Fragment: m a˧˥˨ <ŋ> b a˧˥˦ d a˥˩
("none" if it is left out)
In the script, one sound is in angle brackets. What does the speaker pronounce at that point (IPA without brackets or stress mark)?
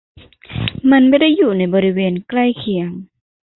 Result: n